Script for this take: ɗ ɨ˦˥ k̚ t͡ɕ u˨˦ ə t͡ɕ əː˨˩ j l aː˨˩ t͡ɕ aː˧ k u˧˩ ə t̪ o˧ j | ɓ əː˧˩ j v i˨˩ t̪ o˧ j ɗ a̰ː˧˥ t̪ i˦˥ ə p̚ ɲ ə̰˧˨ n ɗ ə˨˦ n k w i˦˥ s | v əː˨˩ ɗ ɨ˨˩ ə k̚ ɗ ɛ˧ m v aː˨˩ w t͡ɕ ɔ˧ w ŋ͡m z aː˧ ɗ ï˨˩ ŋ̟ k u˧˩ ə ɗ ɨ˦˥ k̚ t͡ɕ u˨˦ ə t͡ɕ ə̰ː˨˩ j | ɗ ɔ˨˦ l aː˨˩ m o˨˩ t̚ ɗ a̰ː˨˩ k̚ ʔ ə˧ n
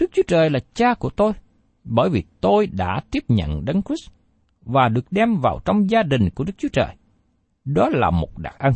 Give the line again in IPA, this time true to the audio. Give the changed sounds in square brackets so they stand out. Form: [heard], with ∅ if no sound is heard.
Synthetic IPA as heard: ɗ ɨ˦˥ k̚ t͡ɕ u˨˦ ə t͡ɕ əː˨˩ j l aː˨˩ t͡ɕ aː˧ k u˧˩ ə t̪ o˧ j | ɓ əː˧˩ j v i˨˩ t̪ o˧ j ɗ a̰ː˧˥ t̪ i˦˥ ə p̚ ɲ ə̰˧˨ n ɗ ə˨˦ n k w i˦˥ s | v [aː˨˩] ɗ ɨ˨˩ ə k̚ ɗ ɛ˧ m v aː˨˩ w t͡ɕ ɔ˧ w ŋ͡m z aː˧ ɗ ï˨˩ ŋ̟ k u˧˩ ə ɗ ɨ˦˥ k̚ t͡ɕ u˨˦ ə t͡ɕ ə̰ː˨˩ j | ɗ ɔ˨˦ l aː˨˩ m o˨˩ t̚ ɗ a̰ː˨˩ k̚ ʔ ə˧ n